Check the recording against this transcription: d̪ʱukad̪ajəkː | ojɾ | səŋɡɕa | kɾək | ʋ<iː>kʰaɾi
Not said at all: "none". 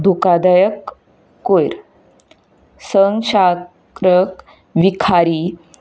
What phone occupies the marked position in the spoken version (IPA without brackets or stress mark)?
i